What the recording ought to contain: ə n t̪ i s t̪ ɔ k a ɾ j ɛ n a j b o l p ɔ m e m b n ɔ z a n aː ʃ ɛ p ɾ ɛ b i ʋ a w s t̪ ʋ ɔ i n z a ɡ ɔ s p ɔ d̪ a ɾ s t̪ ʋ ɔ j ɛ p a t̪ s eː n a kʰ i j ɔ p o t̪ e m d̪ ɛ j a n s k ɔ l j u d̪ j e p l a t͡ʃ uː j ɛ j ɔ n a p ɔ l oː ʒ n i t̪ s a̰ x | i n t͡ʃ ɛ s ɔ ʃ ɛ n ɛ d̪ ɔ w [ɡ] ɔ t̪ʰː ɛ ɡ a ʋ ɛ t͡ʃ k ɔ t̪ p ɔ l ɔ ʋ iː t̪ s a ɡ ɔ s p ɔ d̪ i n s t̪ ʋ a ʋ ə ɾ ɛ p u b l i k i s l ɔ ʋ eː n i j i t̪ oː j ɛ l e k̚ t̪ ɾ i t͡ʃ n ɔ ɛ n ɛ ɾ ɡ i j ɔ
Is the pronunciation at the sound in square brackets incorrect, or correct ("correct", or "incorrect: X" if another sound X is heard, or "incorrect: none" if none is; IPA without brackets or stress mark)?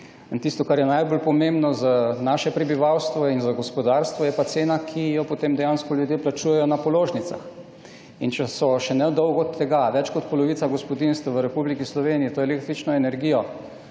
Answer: correct